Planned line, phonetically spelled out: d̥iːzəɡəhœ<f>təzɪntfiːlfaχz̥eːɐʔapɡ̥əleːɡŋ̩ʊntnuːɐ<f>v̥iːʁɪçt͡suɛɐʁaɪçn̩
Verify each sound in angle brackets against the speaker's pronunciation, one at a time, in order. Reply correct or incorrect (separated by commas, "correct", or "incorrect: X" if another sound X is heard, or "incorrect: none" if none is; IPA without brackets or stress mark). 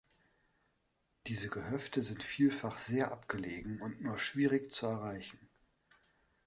correct, incorrect: ʃ